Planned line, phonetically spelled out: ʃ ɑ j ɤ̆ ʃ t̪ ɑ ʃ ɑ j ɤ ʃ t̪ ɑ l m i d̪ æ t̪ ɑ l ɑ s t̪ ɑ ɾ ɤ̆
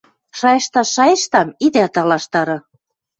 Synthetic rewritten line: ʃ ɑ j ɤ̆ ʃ t̪ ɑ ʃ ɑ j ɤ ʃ t̪ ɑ m i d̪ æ t̪ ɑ l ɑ ʃ t̪ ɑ ɾ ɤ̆